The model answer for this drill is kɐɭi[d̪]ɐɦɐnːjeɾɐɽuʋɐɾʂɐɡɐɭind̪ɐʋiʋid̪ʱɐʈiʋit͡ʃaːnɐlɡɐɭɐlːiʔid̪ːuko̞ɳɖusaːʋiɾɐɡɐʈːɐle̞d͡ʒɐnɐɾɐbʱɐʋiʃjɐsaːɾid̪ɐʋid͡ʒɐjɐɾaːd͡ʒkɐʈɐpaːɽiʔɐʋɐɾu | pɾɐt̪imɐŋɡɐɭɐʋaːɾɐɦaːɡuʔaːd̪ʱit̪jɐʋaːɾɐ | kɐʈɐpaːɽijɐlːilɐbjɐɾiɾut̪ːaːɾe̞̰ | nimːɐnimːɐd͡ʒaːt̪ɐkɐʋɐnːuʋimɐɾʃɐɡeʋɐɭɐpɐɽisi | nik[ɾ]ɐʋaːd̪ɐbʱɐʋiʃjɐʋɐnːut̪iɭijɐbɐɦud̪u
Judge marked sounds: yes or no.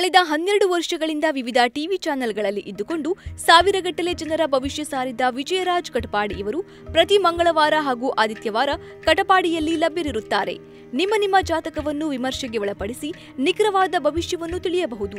yes, yes

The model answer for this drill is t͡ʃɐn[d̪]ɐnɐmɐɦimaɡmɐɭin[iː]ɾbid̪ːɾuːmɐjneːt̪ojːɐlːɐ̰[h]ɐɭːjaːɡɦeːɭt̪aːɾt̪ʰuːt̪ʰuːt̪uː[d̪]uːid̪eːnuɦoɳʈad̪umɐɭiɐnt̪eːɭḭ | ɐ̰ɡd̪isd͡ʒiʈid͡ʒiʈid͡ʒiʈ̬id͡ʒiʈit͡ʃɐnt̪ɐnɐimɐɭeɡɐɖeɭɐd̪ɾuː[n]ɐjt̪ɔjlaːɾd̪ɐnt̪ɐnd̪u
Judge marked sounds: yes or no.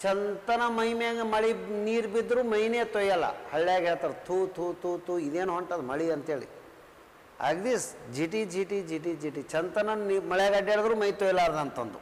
no, yes, yes, no, no

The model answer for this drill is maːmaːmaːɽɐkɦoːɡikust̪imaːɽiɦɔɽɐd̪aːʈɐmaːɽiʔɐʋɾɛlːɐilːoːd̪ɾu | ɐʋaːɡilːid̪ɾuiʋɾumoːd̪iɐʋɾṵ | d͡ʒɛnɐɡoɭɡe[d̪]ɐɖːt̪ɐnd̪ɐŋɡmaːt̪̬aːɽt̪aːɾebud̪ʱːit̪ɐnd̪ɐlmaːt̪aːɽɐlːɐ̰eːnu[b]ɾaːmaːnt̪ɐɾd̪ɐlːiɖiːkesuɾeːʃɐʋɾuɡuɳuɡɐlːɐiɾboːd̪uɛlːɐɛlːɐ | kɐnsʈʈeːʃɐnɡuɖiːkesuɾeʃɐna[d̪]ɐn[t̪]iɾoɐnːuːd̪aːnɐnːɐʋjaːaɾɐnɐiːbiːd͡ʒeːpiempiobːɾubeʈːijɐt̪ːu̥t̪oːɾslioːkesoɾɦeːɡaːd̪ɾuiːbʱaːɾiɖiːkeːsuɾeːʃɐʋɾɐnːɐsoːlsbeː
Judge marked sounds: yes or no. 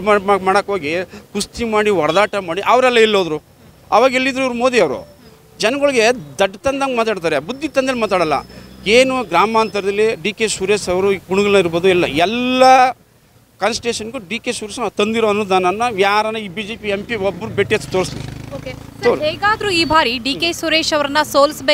yes, no, no, no

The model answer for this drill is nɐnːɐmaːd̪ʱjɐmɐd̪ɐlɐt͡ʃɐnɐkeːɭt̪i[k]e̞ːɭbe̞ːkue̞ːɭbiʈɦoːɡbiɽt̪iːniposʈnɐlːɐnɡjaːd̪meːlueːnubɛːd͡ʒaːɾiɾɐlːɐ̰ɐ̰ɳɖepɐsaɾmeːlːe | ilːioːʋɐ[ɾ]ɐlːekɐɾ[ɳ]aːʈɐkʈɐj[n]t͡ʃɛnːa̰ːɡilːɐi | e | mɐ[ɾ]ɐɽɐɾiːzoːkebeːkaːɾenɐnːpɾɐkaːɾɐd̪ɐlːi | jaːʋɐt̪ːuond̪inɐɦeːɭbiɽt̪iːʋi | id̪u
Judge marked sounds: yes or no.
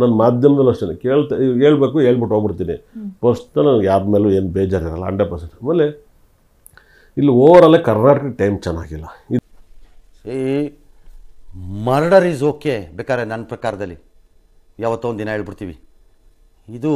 yes, yes, no, no, yes

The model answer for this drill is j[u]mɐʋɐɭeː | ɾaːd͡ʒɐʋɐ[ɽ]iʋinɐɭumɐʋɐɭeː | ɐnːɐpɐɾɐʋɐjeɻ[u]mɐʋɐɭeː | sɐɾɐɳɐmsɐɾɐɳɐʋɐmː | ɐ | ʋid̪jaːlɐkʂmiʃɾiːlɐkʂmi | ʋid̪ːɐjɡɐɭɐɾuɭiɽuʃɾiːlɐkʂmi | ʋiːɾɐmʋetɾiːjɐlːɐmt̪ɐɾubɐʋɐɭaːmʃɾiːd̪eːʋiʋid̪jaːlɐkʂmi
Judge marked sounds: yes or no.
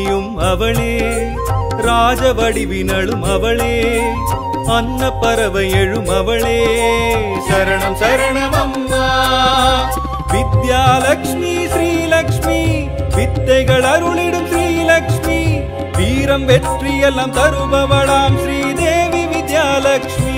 yes, yes, yes

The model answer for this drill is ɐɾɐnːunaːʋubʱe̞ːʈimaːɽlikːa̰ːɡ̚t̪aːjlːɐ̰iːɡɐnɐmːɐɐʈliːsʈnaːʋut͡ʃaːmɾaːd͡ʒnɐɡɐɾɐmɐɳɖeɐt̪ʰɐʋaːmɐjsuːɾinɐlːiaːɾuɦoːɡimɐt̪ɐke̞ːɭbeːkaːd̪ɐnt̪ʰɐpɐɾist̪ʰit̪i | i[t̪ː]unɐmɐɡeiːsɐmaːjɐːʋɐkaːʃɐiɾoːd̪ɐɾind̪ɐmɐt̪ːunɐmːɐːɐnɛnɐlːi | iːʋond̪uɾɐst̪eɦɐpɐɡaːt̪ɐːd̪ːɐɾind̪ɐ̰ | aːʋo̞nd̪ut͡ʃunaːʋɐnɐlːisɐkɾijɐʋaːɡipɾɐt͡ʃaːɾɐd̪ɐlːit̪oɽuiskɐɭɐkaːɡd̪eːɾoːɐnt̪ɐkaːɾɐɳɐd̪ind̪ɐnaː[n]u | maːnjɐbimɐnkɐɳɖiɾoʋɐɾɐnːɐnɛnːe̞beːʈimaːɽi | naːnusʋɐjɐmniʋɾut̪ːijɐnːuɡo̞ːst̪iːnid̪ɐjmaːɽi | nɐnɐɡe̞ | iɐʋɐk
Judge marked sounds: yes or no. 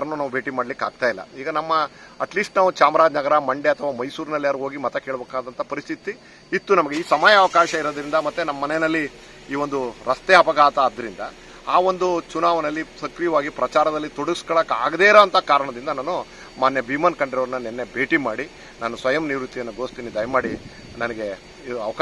yes, yes

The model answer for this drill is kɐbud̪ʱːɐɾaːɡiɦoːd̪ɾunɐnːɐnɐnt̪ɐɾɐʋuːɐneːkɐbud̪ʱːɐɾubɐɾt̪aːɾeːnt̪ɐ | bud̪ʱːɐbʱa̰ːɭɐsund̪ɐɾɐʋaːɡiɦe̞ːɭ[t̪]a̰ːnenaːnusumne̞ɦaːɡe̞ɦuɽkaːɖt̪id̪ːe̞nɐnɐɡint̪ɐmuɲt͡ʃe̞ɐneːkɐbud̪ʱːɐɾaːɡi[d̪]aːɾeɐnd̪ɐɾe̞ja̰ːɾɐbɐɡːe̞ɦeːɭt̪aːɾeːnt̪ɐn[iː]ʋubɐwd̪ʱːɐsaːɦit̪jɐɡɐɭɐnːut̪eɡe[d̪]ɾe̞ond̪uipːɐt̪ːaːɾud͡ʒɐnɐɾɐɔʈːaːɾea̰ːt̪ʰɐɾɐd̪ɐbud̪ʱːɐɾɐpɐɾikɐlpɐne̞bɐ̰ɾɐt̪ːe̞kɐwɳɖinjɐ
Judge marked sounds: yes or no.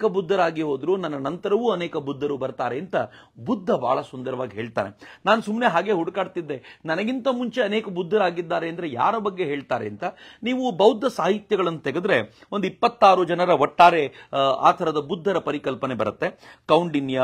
yes, no, yes, yes

